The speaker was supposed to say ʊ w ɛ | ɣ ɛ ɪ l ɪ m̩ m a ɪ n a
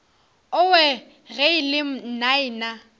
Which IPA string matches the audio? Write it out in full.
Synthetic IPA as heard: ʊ w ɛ | ɣ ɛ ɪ l ɪ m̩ n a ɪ n a